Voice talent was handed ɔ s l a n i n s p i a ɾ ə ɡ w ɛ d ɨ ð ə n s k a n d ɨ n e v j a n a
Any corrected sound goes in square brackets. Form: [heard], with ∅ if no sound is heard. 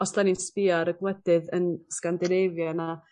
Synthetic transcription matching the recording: ɔ s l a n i n s p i a ɾ ə ɡ w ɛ d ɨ ð ə n s k a n d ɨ n e v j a n a